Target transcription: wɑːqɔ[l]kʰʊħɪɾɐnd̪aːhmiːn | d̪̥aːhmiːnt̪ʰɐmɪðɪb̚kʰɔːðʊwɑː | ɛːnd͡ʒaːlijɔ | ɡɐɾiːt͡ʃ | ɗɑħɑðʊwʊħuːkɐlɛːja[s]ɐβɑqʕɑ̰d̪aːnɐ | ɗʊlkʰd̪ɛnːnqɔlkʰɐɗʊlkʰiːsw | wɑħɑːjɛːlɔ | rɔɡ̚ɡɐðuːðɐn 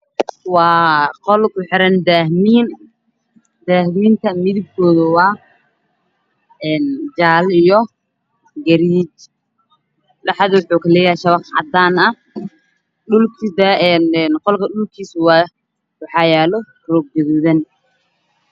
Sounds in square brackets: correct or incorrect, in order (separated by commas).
correct, incorrect